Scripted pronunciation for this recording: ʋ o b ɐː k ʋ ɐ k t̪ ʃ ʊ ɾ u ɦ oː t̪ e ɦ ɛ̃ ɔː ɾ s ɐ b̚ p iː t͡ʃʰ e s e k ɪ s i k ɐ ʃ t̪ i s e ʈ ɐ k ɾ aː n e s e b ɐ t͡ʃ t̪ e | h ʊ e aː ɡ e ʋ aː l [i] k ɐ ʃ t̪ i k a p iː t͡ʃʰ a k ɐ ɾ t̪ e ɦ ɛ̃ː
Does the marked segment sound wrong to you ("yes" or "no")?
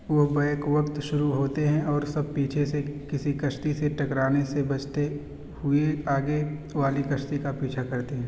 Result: no